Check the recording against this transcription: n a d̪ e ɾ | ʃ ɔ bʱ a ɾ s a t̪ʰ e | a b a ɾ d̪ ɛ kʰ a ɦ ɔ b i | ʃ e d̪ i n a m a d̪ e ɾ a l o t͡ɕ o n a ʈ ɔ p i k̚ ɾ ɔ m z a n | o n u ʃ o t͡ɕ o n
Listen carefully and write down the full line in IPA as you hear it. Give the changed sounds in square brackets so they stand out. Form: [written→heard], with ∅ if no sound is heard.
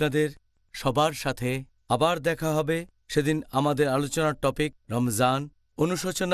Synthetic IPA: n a d̪ e ɾ | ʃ ɔ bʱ a ɾ [s→ʃ] a t̪ʰ e | a b a ɾ d̪ ɛ kʰ a ɦ ɔ b [i→e] | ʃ e d̪ i n a m a d̪ e ɾ a l o t͡ɕ o n a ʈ ɔ p i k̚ ɾ ɔ m z a n | o n u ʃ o t͡ɕ o n

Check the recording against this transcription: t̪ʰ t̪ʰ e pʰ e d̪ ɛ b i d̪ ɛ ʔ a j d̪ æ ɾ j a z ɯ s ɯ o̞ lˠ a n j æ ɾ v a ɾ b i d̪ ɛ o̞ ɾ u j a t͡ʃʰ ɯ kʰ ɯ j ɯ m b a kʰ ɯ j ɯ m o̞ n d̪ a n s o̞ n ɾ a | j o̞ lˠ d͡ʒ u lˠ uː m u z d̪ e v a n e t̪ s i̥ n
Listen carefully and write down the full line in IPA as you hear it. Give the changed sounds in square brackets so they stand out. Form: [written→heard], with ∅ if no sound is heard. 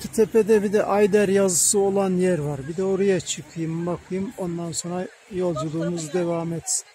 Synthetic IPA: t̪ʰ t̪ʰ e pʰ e d̪ ɛ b i d̪ ɛ ʔ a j d̪ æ ɾ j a z ɯ s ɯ o̞ lˠ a n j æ ɾ v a ɾ b i d̪ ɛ o̞ ɾ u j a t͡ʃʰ ɯ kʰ ɯ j ɯ m b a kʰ ɯ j ɯ m o̞ n d̪ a n s o̞ n ɾ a | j o̞ lˠ d͡ʒ u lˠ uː m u z d̪ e v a [n→m] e t̪ s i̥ n

